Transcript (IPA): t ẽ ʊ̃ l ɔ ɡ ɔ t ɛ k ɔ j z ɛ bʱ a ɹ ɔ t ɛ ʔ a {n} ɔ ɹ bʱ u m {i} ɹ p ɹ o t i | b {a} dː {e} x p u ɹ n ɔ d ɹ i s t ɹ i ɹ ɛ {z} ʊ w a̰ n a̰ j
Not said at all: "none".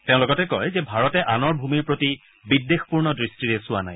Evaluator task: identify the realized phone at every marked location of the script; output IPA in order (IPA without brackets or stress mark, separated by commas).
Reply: n, i, i, e, s